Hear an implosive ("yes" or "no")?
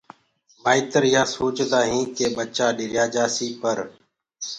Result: yes